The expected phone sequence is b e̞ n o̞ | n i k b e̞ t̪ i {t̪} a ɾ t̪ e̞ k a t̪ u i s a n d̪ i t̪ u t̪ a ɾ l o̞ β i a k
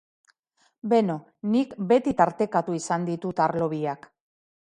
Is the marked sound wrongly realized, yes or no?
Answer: no